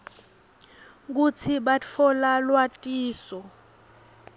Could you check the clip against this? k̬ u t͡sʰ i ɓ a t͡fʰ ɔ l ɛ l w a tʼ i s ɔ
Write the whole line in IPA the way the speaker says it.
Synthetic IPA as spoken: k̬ u t͡sʰ i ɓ a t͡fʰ ɔ l a l w a tʼ iː s ɔ